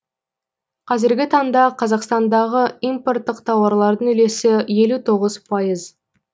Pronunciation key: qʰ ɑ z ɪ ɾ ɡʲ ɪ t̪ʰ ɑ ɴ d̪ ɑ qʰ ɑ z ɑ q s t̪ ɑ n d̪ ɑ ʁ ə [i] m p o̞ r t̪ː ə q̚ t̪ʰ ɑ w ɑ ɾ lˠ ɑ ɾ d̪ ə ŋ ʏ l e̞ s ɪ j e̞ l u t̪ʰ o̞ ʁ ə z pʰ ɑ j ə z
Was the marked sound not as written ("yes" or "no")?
no